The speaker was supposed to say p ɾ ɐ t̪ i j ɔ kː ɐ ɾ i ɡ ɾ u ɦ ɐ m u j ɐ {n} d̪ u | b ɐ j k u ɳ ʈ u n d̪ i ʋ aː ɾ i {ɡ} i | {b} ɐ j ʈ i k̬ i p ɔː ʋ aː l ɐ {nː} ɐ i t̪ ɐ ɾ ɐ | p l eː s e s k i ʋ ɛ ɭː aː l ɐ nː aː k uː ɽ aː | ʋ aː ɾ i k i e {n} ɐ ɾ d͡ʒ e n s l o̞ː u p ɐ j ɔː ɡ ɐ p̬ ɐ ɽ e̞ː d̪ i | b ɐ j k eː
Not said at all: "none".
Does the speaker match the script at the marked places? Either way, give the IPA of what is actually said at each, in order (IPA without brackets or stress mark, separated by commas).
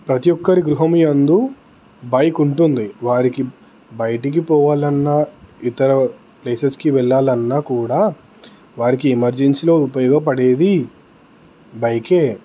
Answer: n, k, b, nː, m